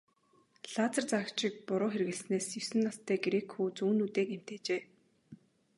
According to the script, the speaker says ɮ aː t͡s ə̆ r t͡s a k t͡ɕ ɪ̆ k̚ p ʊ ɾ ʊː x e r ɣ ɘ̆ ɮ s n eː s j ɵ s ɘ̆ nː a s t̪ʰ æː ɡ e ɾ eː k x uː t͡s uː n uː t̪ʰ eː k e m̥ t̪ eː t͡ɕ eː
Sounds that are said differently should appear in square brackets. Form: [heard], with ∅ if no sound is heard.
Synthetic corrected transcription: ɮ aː t͡s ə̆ r t͡s a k t͡ɕ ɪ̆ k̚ p ʊ ɾ ʊː x e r ɣ ɘ̆ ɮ s n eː s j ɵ s ɘ̆ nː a s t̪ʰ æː ɡ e ɾ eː k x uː t͡s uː n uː [t̪] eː k e m̥ t̪ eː t͡ɕ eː